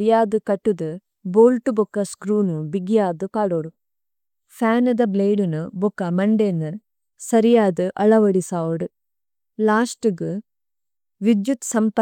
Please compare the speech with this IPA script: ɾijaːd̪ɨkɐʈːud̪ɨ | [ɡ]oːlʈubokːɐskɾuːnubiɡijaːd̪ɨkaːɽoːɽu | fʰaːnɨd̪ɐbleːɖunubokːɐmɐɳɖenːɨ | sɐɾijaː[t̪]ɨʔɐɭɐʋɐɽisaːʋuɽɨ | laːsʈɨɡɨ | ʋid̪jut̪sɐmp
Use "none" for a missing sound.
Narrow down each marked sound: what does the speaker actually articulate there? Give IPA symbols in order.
b, d̪

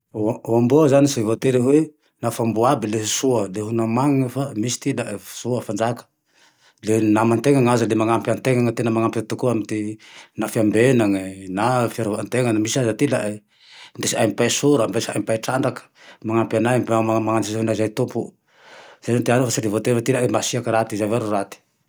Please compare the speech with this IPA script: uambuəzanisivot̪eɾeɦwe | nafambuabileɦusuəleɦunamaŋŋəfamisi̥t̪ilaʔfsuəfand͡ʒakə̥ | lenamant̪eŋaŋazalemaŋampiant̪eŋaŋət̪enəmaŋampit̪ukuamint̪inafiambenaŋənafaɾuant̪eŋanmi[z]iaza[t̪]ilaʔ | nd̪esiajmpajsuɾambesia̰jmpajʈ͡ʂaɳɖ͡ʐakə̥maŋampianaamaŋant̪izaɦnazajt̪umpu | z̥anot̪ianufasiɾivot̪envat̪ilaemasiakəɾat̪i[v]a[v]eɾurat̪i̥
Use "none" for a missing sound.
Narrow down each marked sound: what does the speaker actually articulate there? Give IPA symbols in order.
s, t̪, z, v

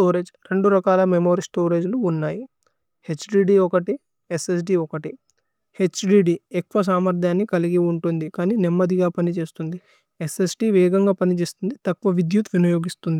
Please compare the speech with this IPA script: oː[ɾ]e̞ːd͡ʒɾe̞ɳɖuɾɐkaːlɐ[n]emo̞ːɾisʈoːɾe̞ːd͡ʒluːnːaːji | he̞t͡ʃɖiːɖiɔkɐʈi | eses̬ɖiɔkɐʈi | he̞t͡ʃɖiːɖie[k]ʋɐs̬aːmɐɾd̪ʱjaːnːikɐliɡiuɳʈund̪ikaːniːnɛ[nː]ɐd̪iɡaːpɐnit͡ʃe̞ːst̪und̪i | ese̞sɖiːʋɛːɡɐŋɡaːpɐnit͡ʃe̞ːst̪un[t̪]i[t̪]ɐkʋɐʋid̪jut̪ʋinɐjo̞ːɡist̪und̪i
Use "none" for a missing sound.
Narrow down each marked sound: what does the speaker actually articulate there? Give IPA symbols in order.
ɾ, m, k, mː, d̪, t̪

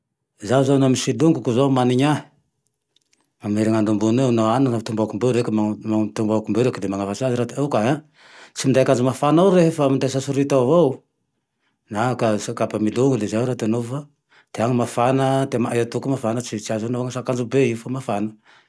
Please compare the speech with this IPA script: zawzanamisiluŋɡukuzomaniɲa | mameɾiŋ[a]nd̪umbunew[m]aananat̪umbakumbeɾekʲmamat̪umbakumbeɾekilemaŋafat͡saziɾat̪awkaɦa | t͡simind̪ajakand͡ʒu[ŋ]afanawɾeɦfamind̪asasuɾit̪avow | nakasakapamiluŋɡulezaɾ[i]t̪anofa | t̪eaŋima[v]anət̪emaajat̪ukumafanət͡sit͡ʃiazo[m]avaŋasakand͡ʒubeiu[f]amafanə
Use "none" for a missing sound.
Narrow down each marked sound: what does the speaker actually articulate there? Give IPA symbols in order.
a, n, m, a, f, n, f

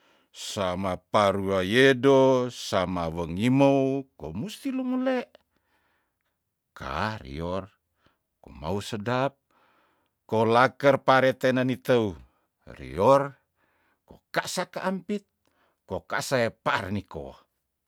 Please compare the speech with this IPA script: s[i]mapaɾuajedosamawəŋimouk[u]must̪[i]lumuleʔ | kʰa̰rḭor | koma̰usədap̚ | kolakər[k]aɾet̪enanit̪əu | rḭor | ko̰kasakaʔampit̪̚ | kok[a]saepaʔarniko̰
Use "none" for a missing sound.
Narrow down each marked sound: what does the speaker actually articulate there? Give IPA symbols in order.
a, o, i, p, a

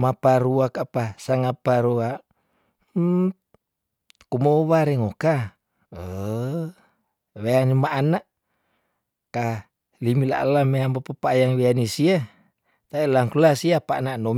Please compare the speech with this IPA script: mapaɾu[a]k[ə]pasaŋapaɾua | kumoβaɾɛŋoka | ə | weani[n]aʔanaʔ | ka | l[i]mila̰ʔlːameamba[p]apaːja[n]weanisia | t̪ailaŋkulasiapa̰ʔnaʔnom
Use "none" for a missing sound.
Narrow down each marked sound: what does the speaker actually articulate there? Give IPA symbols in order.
a, a, m, i, p, ŋ

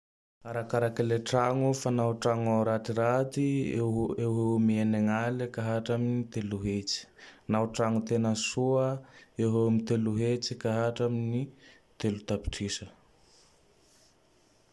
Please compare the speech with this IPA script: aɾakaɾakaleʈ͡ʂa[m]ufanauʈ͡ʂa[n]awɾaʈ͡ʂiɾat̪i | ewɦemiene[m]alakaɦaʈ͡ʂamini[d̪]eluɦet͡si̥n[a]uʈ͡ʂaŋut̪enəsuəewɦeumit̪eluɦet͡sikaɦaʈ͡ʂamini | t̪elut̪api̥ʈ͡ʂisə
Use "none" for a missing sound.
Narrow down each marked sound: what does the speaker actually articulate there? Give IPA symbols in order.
ŋ, ŋ, ŋ, t̪, a

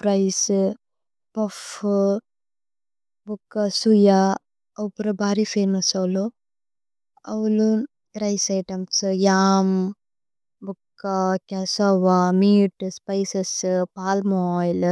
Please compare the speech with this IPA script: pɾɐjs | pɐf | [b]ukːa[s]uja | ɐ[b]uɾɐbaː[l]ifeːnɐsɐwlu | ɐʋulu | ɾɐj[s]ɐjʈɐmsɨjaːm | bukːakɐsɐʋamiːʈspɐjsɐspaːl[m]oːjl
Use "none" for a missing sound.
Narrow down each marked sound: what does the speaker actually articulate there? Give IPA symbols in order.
b, s, p, ɾ, s, m

